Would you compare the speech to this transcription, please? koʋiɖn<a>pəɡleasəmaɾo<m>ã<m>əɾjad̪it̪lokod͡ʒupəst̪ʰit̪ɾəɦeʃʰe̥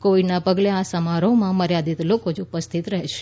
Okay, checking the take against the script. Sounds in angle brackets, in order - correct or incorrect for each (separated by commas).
correct, correct, correct